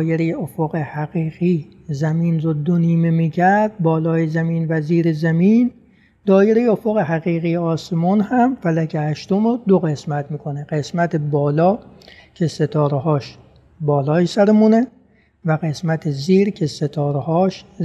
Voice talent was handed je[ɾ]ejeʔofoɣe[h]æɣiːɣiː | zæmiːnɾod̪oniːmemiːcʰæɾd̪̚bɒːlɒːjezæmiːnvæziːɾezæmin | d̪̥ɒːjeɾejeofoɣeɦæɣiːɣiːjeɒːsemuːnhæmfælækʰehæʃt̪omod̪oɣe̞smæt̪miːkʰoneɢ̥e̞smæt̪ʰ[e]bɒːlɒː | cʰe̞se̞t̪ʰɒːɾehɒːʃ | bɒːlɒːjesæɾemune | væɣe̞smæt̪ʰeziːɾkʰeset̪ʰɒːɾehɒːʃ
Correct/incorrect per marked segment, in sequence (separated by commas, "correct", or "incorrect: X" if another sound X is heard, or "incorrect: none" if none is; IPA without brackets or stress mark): correct, correct, correct